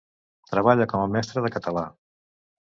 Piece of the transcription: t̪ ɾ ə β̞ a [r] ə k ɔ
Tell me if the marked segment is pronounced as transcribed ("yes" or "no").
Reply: no